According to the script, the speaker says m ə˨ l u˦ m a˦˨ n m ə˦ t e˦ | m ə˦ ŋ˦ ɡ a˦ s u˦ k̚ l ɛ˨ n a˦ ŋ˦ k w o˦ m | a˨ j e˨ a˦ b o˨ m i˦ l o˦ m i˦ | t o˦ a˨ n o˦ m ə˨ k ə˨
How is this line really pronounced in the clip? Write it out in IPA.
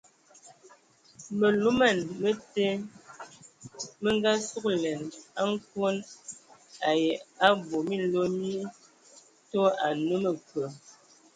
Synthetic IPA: m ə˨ l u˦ m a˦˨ n m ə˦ t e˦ | m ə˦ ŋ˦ ɡ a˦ s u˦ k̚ l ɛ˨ n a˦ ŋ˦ k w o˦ n | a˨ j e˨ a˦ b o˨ m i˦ l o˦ m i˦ | t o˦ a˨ n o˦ m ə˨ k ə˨